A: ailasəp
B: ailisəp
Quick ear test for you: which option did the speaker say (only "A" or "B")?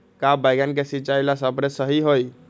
A